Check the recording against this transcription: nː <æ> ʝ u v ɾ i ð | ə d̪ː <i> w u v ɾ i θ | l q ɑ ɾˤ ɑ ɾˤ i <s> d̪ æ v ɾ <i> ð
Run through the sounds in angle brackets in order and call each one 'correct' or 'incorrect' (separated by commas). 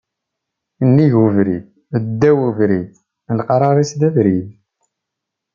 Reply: incorrect, incorrect, correct, correct